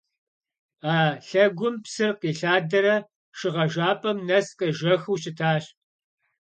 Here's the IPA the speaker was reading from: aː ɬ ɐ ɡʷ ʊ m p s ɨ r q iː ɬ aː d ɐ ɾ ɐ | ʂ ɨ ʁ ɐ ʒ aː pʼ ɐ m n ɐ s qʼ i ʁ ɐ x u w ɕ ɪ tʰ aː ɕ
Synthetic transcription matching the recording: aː ɬ ɐ ɡʷ ʊ m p s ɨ r q iː ɬ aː d ɐ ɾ ɐ | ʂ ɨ ʁ ɐ ʒ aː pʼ ɐ m n ɐ s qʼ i ʒ ɐ x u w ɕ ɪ tʰ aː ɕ